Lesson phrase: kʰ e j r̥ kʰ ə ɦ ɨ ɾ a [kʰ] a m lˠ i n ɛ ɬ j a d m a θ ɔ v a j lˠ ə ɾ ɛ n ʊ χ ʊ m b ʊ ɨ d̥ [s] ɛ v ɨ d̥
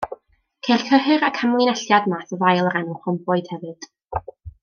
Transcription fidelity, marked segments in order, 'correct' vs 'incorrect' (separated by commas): correct, incorrect